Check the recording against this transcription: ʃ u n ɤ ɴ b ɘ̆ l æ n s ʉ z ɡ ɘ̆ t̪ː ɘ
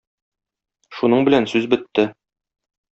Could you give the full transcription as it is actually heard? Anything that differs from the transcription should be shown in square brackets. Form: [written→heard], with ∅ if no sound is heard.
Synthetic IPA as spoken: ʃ u n ɤ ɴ b ɘ̆ l æ n s ʉ z [ɡ→b] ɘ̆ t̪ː ɘ